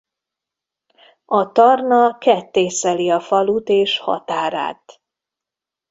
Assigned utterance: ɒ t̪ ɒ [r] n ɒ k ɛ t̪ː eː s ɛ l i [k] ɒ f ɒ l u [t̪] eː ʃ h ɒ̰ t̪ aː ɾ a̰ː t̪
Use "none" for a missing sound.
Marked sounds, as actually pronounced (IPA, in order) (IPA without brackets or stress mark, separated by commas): r, none, t̪